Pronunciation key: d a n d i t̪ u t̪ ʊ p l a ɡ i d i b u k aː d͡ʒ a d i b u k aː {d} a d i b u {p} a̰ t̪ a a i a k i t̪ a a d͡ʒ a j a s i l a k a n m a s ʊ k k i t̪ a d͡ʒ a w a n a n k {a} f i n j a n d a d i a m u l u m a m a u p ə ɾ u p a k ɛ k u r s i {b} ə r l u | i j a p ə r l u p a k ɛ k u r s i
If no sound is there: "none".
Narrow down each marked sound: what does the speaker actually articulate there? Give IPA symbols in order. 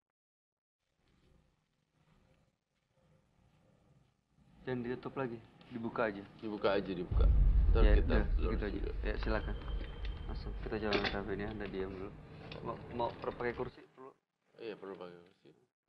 d͡ʒ, k, a, p

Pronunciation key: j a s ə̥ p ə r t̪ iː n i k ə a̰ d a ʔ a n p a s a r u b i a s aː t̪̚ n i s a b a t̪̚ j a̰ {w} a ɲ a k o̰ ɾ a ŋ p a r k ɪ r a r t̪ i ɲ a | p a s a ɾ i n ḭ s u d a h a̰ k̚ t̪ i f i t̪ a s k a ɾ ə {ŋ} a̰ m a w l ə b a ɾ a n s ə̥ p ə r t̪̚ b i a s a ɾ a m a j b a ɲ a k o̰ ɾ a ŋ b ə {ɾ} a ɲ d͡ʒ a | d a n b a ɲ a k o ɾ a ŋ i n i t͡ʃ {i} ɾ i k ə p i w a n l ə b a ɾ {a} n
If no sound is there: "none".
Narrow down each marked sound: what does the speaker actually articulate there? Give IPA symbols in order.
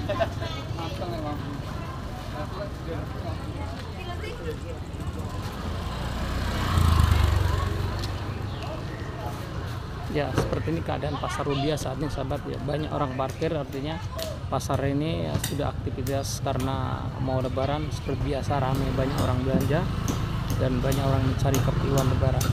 b, n, l, a, a

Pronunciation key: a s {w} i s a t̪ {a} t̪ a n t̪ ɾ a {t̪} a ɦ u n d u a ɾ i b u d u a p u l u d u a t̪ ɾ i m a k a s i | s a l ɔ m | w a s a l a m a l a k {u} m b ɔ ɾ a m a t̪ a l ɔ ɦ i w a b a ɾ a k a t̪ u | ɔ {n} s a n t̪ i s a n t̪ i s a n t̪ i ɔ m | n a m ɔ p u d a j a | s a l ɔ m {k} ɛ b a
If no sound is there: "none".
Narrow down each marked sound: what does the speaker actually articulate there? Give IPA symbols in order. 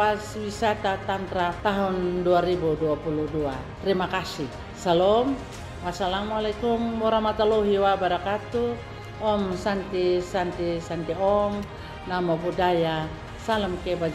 w, a, t̪, u, m, k

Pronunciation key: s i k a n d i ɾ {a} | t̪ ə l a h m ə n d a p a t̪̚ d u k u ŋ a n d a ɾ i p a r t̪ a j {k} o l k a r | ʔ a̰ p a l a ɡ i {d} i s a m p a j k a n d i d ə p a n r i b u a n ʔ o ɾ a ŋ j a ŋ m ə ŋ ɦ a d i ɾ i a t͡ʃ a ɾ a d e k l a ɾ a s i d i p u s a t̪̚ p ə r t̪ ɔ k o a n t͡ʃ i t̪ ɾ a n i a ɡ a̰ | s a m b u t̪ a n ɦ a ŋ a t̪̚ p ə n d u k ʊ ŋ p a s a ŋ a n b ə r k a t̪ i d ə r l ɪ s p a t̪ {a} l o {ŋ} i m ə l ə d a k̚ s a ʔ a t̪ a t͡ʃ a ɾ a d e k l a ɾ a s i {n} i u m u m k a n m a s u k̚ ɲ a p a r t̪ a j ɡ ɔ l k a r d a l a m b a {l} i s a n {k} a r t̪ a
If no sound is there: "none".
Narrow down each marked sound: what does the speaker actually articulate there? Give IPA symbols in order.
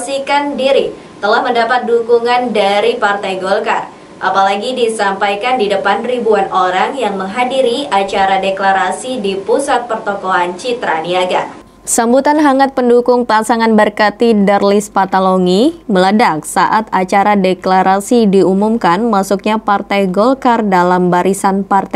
i, ɡ, d, a, ŋ, d, ɾ, p

